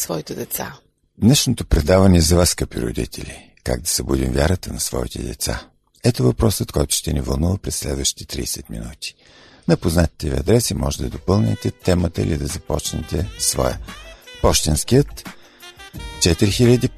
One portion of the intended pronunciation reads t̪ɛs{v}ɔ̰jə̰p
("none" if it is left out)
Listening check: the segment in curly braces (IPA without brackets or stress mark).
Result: v